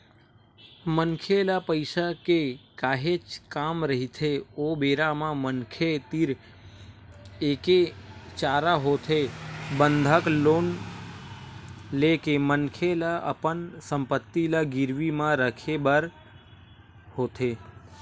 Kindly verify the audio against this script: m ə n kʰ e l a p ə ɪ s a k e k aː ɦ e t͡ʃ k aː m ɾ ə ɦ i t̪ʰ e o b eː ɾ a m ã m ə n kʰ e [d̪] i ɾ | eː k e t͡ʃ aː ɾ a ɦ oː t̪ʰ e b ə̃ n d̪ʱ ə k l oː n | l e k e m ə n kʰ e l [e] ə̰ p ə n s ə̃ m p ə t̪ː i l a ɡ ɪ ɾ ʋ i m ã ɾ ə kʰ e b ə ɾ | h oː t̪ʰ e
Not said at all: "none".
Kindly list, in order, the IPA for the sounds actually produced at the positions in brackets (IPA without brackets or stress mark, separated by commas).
t̪, a